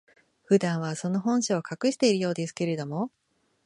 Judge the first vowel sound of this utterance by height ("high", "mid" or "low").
high